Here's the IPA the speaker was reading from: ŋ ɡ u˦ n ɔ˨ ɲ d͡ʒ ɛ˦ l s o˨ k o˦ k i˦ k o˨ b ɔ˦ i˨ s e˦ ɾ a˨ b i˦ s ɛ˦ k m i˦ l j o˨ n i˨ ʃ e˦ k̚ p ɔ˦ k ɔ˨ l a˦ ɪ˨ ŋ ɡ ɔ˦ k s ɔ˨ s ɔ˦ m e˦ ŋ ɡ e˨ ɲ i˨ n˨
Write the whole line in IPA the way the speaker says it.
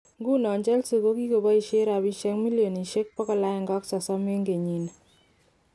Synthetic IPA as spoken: ŋ ɡ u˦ n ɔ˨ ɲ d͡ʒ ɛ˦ l s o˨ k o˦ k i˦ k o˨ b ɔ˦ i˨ ʃ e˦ ɾ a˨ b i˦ ʃ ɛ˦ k m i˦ l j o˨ n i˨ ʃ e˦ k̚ p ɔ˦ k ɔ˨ l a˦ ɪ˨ ŋ ɡ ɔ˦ k s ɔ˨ s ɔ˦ m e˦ ŋ ɡ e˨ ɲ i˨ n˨